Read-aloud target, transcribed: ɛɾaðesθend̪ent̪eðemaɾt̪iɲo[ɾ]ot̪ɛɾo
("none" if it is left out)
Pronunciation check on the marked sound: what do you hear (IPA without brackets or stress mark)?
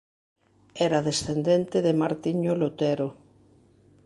l